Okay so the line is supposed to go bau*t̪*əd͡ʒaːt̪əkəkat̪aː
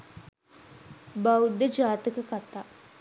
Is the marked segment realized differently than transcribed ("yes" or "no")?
yes